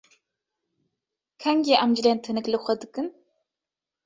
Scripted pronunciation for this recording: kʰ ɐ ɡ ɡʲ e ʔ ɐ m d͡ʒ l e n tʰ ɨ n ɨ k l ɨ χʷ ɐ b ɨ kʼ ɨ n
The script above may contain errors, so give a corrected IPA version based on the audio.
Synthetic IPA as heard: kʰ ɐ ŋ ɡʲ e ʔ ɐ m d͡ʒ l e n tʰ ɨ n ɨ k l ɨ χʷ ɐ d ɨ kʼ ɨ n